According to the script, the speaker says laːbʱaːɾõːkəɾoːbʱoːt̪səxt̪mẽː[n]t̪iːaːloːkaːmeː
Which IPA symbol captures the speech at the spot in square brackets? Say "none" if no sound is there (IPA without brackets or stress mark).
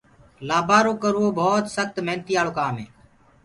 n